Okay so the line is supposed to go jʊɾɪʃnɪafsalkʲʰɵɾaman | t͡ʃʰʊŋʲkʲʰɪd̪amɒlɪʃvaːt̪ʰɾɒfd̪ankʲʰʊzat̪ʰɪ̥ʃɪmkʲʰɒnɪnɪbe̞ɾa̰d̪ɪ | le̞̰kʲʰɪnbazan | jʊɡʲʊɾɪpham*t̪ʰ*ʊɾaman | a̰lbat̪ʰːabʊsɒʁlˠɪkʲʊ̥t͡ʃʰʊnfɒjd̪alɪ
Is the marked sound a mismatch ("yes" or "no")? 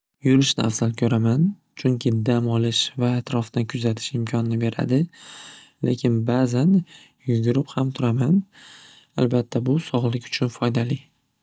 no